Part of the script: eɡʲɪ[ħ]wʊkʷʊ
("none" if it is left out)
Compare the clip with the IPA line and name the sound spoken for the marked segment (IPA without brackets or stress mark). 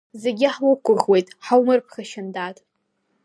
ħ